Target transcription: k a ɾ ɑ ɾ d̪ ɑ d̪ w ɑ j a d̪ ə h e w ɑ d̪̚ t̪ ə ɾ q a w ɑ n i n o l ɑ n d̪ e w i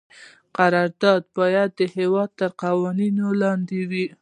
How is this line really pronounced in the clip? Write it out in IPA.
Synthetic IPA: q a ɾ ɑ ɾ d̪ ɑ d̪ b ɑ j a d̪ː ə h e w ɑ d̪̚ t̪ ə ɾ q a w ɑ n i n o l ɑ n d̪ e w i